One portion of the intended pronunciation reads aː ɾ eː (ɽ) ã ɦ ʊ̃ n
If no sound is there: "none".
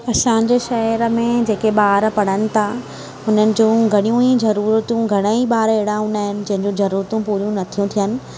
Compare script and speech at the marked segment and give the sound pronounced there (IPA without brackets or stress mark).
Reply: ɽ